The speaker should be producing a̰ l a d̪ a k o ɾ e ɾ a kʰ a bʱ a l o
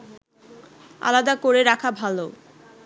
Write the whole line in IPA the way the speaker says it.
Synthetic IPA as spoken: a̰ l a d̪ a k o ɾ e ɾ a kʰ a bʱ a l o